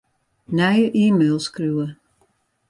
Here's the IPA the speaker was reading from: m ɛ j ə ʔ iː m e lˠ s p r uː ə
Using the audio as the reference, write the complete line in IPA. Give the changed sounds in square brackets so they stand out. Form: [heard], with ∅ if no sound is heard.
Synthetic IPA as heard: [n] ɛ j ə ʔ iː m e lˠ s [k] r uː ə

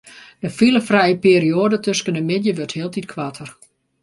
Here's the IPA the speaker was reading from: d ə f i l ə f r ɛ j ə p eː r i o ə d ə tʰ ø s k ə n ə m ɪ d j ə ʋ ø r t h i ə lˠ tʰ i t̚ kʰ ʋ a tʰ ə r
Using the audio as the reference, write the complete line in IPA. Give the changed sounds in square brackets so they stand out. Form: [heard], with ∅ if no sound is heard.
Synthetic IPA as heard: d ə f i l ə f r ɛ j ə p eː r i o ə d ə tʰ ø s k ə n ə m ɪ d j ə ʋ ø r t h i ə lˠ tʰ i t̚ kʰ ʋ a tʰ ə r

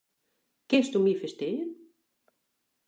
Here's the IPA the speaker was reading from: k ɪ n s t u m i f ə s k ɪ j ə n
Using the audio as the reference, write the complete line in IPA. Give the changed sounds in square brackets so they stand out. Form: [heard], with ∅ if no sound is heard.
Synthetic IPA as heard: k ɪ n s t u m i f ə s [t] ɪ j ə n

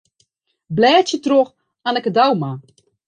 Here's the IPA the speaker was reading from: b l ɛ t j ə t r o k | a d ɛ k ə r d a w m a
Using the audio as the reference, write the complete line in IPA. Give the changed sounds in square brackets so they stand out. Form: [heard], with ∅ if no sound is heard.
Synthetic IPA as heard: b l [ɛː] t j ə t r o [x] | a [n] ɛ k ə [∅] d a w m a

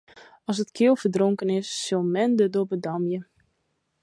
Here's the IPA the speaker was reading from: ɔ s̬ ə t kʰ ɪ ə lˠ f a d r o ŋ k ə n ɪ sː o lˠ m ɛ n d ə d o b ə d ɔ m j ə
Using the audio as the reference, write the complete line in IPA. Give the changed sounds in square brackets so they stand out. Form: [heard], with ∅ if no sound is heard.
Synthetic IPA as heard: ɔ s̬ ə t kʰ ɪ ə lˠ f [ə] d r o ŋ k ə n ɪ sː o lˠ m ɛ n d ə d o b ə d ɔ m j ə

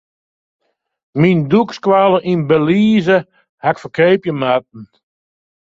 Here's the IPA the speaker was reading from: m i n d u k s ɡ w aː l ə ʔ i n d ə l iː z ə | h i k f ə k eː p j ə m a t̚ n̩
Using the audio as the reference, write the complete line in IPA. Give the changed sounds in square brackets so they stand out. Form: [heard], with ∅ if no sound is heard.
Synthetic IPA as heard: m i n d u k s [k] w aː l ə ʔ i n [b] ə l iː z ə | h [a] k f ə k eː p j ə m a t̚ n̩

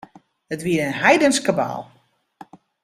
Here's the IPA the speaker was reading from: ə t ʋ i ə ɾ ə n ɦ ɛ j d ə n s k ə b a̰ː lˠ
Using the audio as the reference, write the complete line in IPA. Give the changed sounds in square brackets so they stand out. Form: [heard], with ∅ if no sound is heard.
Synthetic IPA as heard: ə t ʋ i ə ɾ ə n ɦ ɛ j d ə n s k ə b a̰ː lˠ

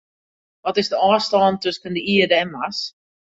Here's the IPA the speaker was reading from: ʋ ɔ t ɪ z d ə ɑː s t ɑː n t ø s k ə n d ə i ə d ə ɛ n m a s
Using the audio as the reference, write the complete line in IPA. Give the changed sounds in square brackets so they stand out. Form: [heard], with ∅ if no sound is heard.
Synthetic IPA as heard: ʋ ɔ t ɪ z d ə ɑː s t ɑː n t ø s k ə n d ə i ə d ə ɛ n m a s

